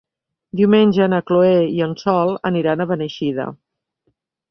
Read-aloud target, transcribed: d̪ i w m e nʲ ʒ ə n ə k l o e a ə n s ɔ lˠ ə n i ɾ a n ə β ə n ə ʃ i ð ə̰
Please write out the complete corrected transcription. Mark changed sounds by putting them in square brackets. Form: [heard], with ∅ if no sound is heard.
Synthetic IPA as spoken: d̪ i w m e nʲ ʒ ə n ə k l o e [i] ə n s ɔ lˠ ə n i ɾ a n ə β ə n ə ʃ i ð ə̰